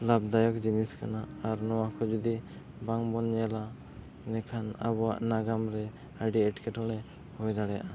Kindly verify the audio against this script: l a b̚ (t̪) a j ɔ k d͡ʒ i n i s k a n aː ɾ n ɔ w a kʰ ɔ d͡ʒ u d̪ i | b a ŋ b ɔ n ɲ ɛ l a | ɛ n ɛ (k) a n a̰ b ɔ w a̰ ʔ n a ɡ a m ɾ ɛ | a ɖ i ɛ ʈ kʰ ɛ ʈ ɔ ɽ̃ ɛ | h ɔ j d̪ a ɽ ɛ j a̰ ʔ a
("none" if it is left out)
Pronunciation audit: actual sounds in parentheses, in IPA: d̪, kʰ

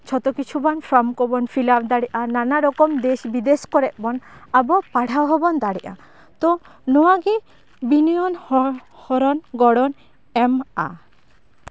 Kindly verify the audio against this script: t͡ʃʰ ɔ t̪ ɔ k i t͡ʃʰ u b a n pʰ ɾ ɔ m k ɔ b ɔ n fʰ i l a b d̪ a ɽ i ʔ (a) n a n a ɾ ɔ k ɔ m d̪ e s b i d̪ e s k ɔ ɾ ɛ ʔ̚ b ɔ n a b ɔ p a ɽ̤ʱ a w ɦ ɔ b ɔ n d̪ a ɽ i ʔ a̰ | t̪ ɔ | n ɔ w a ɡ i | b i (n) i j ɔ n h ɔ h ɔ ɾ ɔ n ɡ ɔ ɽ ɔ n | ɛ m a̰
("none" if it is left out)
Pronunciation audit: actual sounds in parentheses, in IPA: a, n

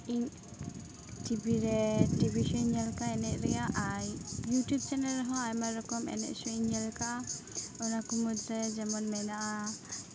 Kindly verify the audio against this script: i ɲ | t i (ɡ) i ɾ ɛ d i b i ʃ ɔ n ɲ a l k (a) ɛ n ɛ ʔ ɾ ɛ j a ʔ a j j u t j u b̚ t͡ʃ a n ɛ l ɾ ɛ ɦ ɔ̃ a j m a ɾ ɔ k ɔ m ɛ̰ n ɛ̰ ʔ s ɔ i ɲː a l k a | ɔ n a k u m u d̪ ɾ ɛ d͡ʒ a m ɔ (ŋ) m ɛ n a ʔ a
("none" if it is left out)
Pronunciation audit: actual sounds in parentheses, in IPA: b, a, n

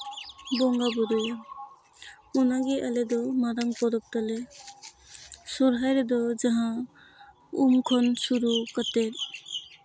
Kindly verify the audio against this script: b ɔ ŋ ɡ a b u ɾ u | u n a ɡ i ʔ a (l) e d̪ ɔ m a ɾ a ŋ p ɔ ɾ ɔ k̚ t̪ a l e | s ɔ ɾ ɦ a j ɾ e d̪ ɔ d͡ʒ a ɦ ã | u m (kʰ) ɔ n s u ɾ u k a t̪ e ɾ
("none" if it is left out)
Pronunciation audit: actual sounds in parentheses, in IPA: l, kʰ

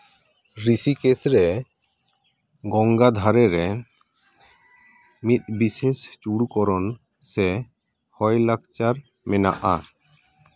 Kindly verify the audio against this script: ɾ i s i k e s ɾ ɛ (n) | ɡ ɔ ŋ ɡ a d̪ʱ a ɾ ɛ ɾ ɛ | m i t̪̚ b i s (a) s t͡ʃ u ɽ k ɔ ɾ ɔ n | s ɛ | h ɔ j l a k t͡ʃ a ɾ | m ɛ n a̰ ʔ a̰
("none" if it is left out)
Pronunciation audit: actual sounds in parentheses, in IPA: none, e

